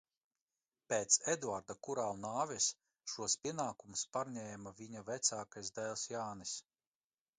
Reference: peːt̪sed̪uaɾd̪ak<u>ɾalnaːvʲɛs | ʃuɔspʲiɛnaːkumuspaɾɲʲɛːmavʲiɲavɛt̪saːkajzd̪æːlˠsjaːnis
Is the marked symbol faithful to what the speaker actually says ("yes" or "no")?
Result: yes